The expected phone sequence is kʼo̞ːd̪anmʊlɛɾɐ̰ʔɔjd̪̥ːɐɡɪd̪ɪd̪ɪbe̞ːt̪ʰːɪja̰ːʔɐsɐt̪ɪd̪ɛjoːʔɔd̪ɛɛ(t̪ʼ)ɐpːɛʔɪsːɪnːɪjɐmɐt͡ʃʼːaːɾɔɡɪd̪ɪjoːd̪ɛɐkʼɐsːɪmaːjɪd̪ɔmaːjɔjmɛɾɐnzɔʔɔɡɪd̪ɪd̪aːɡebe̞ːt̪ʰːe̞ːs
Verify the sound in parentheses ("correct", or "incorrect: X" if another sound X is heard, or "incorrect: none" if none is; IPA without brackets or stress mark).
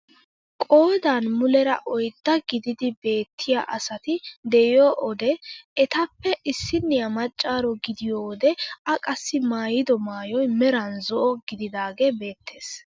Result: incorrect: t̪